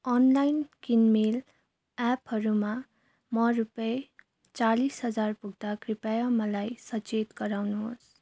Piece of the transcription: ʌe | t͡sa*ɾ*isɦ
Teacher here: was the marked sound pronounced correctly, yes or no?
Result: no